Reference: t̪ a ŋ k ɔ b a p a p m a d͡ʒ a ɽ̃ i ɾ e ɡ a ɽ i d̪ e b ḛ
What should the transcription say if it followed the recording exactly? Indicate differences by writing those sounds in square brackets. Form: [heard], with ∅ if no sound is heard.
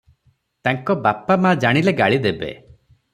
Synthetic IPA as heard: t̪ a ŋ k ɔ b a p a [∅] m a d͡ʒ a ɽ̃ i [l] e ɡ a [ɭ] i d̪ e b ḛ